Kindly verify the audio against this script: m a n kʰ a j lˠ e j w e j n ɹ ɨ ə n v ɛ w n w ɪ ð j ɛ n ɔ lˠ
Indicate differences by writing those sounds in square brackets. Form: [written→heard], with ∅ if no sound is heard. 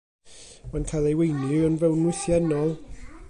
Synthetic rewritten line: m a n kʰ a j lˠ e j w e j n [ɹ→l] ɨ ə n v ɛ w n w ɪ [ð→θ] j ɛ n ɔ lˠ